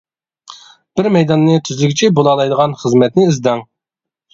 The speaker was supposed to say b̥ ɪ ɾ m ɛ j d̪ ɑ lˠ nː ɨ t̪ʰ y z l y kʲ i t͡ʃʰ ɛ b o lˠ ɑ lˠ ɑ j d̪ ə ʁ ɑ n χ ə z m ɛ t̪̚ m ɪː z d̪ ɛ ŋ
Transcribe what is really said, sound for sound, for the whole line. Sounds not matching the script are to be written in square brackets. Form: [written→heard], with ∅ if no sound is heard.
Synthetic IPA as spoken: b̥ ɪ ɾ m ɛ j d̪ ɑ [lˠ→∅] nː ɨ t̪ʰ y z l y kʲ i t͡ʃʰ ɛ b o lˠ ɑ lˠ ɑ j d̪ ə ʁ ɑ n χ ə z m ɛ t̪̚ [m→n] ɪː z d̪ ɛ ŋ

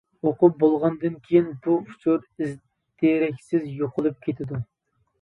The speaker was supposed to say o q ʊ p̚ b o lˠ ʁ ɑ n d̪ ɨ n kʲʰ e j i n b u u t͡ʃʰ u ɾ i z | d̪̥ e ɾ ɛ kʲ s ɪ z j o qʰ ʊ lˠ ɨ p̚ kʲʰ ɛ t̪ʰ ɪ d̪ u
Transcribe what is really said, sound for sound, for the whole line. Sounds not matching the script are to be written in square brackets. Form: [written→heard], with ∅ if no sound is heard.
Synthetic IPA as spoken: o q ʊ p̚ b o lˠ ʁ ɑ n d̪ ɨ n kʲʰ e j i n b u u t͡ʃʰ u ɾ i z | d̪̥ e ɾ ɛ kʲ s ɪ z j o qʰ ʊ lˠ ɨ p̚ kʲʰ [ɛ→e] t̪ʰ ɪ d̪ u

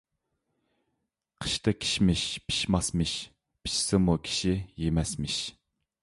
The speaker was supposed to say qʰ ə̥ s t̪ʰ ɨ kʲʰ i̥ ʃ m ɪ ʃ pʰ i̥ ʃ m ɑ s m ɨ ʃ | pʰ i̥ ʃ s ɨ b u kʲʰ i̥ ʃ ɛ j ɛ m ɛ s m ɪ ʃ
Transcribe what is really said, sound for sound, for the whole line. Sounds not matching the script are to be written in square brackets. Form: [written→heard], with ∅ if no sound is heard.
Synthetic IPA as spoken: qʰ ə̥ [s→ʃ] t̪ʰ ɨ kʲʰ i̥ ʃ m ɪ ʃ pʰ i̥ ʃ m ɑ s m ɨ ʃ | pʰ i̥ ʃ s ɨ [b→m] u kʲʰ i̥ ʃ [ɛ→i] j [ɛ→e] m ɛ s m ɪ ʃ

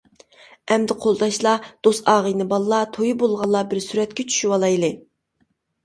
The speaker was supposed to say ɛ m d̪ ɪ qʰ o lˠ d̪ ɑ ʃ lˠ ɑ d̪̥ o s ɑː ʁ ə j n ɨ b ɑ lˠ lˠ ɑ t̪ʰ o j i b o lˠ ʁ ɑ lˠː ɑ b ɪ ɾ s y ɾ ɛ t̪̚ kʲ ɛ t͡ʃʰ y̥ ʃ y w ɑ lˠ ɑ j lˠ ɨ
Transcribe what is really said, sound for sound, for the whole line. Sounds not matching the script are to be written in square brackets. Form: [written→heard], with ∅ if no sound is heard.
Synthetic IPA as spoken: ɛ m d̪ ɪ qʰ o lˠ d̪ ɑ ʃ lˠ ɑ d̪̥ o s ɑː ʁ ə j n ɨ b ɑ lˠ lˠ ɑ t̪ʰ o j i b o lˠ ʁ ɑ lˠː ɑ b ɪ ɾ s y ɾ ɛ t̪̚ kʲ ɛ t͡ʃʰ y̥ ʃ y w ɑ lˠ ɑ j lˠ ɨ

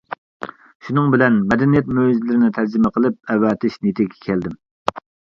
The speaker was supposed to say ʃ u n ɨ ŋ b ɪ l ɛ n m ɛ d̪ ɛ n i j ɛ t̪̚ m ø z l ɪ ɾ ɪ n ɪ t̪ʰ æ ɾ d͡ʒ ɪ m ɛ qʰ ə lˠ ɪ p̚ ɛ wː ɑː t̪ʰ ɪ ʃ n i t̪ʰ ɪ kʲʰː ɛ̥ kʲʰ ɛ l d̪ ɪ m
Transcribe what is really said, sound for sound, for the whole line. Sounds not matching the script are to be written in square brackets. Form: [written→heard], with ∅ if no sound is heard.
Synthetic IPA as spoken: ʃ u n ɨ ŋ b ɪ l ɛ n m ɛ d̪ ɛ n i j ɛ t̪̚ m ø z l ɪ ɾ ɪ n ɪ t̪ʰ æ ɾ d͡ʒ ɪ m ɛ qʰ ə lˠ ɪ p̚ ɛ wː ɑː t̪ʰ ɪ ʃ n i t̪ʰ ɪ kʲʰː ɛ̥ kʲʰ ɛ l d̪ ɪ m

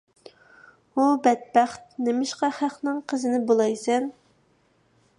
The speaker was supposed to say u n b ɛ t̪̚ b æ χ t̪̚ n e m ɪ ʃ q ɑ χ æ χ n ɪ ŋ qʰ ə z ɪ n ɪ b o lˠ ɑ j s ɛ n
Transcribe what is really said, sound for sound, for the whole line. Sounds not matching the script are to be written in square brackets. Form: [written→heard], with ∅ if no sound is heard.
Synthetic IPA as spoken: u [n→∅] b ɛ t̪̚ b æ χ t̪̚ n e m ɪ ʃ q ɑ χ æ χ n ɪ ŋ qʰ ə z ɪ n ɪ b o lˠ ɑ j s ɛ n

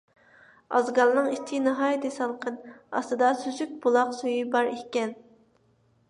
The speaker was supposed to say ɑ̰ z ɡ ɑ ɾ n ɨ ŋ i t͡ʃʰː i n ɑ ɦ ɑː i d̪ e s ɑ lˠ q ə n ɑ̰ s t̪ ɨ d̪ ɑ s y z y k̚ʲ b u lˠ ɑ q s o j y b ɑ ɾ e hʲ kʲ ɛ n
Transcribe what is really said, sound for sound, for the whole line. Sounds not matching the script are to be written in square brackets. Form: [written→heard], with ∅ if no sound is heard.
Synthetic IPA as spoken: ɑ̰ z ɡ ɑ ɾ n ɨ ŋ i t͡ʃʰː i n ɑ ɦ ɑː [i→j] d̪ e s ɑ lˠ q ə n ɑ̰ s t̪ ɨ d̪ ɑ s y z y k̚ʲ b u lˠ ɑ q s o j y b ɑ ɾ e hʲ kʲ ɛ n

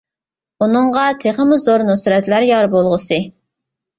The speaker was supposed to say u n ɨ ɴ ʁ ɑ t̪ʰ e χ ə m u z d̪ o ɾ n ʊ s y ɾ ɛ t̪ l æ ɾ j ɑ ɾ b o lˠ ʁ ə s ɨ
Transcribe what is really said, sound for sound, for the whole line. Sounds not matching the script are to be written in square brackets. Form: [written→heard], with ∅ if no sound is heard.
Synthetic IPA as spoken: u n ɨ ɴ ʁ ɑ t̪ʰ e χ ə m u z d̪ o ɾ n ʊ s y ɾ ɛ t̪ l æ ɾ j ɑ ɾ b o lˠ ʁ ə s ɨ

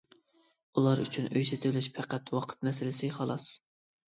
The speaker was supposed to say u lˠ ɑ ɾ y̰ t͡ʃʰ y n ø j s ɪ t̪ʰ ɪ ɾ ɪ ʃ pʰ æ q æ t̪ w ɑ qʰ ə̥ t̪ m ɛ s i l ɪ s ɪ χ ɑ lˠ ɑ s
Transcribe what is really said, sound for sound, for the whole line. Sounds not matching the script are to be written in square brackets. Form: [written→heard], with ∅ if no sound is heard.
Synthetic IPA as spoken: u lˠ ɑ ɾ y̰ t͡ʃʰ y n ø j s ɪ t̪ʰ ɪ [ɾ→l] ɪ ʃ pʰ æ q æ t̪ w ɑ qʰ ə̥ t̪ m ɛ s [i→ɪ] l ɪ s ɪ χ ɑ lˠ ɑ s

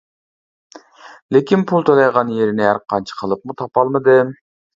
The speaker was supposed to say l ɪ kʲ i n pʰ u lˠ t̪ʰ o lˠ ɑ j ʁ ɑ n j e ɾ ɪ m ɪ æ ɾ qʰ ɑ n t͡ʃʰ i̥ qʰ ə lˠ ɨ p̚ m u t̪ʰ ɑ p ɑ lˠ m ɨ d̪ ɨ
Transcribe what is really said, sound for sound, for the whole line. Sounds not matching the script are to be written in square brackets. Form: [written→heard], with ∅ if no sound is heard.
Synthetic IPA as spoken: l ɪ kʲ i n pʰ u lˠ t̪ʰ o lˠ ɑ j ʁ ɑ n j e ɾ ɪ [m→n] ɪ æ ɾ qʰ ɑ n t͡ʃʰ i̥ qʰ ə lˠ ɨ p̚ m u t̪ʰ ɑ p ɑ lˠ m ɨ d̪ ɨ

